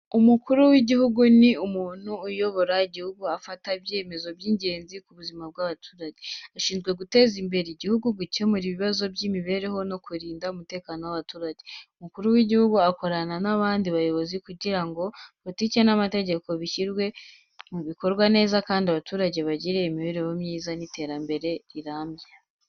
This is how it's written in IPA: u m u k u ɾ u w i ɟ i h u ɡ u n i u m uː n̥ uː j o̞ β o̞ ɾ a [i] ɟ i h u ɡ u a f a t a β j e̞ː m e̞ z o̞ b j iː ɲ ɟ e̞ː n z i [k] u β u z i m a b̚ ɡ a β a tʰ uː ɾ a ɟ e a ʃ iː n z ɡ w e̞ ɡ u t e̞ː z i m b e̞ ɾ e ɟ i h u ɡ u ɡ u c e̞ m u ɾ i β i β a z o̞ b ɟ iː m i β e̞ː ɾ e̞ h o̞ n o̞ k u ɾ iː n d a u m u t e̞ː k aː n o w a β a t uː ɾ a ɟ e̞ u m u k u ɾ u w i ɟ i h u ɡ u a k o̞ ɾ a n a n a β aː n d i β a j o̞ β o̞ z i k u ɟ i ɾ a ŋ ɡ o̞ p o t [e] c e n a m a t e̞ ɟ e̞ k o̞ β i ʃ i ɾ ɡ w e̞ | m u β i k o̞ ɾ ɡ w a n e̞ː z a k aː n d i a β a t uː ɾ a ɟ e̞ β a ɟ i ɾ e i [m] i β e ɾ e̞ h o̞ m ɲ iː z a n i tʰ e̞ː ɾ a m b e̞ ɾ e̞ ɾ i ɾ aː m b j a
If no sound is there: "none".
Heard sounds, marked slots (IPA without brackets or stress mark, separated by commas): i, k, i, m